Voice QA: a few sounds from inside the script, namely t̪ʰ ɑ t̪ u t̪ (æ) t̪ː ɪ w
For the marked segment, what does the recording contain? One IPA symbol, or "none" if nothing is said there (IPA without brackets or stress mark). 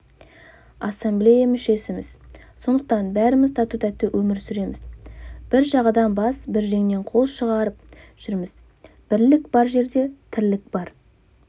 æ